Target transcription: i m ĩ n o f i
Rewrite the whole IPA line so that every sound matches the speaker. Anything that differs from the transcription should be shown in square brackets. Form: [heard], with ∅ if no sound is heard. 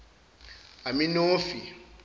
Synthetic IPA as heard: [a] m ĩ n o f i